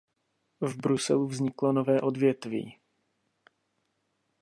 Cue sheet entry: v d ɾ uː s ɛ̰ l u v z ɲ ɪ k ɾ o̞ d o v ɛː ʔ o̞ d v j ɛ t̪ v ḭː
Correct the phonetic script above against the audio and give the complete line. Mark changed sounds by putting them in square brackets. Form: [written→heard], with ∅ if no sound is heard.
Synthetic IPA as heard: v [d→b] ɾ [uː→u] s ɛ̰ l u v z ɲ ɪ k [ɾ→l] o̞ [d→n] o v ɛː ʔ o̞ d v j ɛ t̪ v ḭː